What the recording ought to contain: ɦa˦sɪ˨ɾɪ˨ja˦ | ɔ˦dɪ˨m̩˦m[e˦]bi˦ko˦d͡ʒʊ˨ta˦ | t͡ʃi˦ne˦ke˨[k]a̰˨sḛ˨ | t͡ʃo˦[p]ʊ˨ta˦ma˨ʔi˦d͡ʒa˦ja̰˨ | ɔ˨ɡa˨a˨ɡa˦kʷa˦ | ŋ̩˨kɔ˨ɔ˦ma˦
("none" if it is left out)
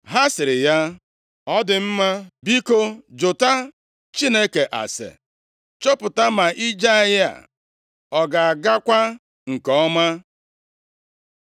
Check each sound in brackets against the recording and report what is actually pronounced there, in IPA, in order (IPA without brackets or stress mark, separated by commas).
a˦, ʔ, p